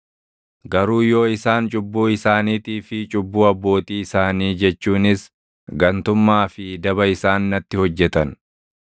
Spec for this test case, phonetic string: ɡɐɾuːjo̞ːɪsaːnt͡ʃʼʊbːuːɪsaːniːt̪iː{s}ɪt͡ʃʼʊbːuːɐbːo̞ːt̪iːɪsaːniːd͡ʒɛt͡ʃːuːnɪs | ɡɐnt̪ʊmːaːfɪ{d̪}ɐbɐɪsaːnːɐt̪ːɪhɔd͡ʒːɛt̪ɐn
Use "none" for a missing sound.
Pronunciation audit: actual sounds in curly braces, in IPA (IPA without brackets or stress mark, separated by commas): f, d̪